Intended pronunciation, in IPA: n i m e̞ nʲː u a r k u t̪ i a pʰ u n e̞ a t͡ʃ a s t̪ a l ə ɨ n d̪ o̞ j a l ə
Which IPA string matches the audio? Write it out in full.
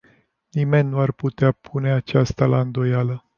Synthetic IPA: n i m e̞ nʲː u a r p u t̪ e a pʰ u n e̞ a t͡ʃ a s t̪ a l a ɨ n d̪ o̞ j a l ə

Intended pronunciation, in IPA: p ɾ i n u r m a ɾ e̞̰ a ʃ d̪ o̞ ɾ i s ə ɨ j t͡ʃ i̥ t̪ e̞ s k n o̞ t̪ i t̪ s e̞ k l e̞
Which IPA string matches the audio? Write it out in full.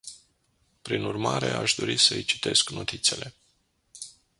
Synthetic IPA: p ɾ i n u r m a ɾ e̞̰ a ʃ d̪ o̞ ɾ i s ə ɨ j t͡ʃ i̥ t̪ e̞ s k n o̞ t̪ i t̪ s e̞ l e̞

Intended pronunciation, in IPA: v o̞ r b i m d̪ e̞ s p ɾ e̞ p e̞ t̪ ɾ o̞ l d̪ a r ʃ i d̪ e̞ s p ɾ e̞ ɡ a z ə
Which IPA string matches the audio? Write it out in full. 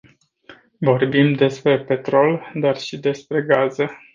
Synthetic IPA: v o̞ r b i m d̪ e̞ s p ɾ e̞ p e̞ t̪ ɾ o̞ l d̪ a r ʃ i d̪ e̞ s p ɾ e̞ ɡ a z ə

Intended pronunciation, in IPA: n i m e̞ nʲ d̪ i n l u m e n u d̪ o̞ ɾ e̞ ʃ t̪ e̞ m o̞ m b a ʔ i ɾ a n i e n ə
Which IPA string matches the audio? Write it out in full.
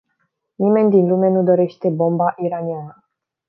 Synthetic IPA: n i m e̞ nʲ d̪ i n l u m e n u d̪ o̞ ɾ e̞ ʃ t̪ e̞ b o̞ m b a ʔ i ɾ a n i a n ə

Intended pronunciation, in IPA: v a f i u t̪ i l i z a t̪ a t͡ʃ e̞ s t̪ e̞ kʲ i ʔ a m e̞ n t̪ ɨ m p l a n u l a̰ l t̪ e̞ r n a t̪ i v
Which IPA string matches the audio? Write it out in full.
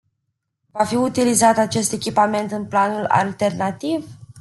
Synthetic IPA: v a f i u t̪ i l i z a t̪ a t͡ʃ e̞ s t̪ e̞ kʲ i p a m e̞ n t̪ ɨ n p l a n u l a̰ l t̪ e̞ r n a t̪ i v

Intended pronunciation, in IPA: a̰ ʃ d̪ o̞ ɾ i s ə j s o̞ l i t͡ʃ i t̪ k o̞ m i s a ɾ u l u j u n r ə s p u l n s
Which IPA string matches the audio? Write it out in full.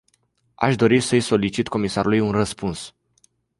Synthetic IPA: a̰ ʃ d̪ o̞ ɾ i s ə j s o̞ l i t͡ʃ i t̪ k o̞ m i s a ɾ u l u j u n r ə s p u n s

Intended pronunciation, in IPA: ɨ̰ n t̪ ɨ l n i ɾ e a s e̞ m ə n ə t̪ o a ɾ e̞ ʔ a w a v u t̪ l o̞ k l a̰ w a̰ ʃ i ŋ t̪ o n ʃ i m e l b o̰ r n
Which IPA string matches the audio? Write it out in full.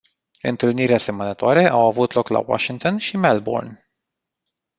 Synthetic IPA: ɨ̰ n t̪ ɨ l n i ɾ e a s e̞ m ə n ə t̪ o a ɾ e̞ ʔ a w a v u t̪ l o̞ k l a̰ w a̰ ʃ i ŋ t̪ o n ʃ i m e l b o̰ r n

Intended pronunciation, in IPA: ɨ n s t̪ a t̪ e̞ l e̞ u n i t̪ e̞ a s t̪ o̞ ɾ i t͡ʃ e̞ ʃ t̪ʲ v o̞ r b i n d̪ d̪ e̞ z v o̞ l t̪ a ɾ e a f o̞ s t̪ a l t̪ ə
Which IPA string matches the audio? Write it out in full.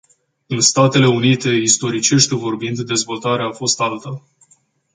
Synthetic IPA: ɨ n s t̪ a t̪ e̞ l e̞ u n i t̪ e̞ i s t̪ o̞ ɾ i t͡ʃ e̞ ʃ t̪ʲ v o̞ r b i n d̪ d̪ e̞ z v o̞ l t̪ a ɾ e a f o̞ s t̪ a l t̪ ə

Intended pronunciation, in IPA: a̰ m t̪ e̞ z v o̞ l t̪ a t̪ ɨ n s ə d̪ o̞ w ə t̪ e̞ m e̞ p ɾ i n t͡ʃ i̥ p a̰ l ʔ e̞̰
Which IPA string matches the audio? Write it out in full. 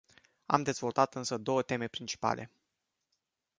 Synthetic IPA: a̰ m d̪ e̞ z v o̞ l t̪ a t̪ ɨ n s ə d̪ o̞ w ə t̪ e̞ m e̞ p ɾ i n t͡ʃ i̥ p a̰ l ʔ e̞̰

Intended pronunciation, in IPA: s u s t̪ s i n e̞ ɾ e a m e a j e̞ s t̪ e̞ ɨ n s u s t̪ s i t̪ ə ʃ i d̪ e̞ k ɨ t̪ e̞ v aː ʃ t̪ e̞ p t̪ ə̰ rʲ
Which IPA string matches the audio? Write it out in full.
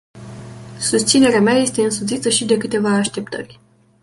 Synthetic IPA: s u s t̪ s i n e̞ ɾ e a m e a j e̞ s t̪ e̞ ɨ n s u t̪ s i t̪ ə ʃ i d̪ e̞ k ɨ t̪ e̞ v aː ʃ t̪ e̞ p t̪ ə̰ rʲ

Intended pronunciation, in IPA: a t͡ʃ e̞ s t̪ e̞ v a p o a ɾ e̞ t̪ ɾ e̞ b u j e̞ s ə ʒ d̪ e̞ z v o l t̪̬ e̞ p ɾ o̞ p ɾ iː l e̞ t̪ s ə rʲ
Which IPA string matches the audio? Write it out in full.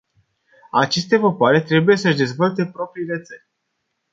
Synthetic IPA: a t͡ʃ e̞ s t̪ e̞ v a p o a ɾ e̞ t̪ ɾ e̞ b u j e̞ s ə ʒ d̪ e̞ z v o l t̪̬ e̞ p ɾ o̞ p ɾ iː l e̞ t̪ s ə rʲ

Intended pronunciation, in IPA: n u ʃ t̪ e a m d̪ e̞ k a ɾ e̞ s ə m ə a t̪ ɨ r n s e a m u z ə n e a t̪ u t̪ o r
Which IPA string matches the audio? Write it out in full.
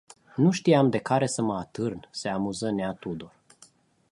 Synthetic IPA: n u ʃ t̪ i a m d̪ e̞ k a ɾ e̞ s ə m ə a t̪ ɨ r n s e a m u z ə n e a t̪ u d̪ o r

